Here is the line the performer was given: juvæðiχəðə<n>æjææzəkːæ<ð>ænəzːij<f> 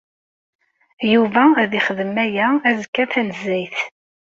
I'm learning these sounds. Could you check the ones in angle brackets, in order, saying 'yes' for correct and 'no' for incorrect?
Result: no, no, no

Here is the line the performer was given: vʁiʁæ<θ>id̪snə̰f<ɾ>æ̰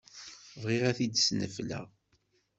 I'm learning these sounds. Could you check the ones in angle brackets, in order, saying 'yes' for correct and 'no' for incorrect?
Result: yes, no

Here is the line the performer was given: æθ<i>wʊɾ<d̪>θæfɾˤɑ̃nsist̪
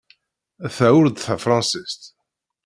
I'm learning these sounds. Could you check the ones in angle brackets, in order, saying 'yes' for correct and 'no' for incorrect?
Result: no, yes

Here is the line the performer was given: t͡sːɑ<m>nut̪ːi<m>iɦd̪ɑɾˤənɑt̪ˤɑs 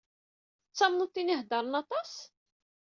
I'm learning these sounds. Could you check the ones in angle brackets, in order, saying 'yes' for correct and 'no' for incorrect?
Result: yes, no

